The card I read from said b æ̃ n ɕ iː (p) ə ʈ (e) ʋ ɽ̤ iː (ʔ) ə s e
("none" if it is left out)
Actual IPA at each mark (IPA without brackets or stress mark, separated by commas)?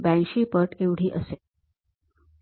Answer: p, e, ʔ